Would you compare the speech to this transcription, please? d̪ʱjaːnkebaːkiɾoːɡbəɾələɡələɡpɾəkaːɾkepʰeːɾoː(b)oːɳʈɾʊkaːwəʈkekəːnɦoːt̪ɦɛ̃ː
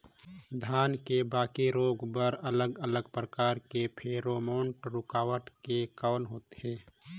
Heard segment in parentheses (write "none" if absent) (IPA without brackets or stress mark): m